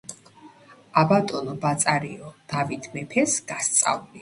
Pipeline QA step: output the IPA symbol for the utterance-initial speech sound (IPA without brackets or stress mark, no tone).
a